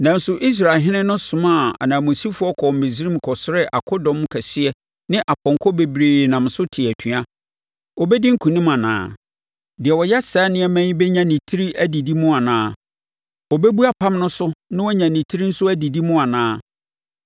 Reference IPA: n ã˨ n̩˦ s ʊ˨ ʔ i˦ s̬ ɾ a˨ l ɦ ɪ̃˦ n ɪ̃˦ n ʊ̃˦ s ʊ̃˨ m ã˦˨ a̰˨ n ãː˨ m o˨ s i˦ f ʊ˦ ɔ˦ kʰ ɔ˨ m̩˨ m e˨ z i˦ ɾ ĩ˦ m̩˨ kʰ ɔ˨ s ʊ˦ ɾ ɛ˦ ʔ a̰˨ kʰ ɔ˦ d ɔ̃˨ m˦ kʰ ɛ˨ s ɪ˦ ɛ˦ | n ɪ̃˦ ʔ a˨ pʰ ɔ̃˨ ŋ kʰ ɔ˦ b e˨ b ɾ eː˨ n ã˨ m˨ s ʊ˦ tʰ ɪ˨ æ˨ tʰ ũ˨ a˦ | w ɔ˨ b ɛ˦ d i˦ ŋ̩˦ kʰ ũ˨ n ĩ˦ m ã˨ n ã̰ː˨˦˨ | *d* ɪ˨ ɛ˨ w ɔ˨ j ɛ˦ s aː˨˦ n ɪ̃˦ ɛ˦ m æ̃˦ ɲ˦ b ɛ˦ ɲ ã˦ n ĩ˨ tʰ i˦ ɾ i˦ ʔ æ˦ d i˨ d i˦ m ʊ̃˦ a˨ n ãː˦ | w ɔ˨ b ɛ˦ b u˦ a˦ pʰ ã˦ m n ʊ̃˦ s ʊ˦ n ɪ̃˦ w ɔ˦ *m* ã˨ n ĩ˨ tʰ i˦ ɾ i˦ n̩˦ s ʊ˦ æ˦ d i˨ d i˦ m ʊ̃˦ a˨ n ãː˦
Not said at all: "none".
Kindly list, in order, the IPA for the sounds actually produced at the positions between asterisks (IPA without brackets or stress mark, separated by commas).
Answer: d, ɲ